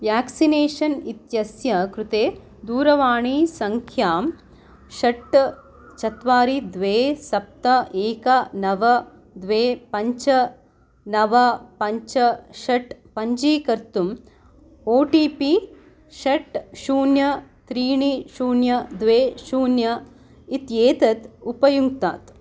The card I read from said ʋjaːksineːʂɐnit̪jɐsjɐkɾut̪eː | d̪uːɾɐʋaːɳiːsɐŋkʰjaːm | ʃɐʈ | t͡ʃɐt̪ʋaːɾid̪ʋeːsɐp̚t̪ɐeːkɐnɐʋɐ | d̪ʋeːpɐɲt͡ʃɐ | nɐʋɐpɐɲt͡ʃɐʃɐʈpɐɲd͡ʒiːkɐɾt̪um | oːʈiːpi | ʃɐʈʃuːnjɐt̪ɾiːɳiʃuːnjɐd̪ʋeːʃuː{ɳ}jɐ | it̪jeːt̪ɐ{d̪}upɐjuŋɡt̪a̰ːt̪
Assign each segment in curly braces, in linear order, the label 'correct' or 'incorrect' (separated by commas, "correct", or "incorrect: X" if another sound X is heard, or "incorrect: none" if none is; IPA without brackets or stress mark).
incorrect: n, incorrect: t̪